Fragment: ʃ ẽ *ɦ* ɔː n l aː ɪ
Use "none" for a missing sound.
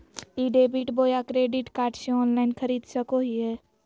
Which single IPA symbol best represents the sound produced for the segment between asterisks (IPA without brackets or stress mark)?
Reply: none